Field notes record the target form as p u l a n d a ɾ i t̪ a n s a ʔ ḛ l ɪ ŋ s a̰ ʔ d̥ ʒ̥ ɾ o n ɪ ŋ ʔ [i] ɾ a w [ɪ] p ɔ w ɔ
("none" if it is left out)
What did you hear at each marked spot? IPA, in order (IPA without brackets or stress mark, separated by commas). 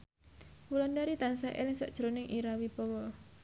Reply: i, i